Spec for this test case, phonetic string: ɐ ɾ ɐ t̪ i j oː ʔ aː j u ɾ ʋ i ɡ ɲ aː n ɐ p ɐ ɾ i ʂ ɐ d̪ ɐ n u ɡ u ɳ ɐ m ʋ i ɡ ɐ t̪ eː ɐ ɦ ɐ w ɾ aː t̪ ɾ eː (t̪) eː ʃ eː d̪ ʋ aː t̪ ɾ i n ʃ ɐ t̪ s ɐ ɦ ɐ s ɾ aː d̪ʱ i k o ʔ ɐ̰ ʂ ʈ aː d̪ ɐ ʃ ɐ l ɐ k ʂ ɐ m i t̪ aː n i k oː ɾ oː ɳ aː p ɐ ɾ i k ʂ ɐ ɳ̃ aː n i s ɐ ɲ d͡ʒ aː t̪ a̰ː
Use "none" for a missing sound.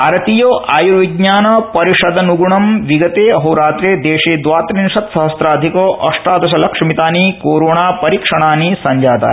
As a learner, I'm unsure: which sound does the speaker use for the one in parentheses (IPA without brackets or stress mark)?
d̪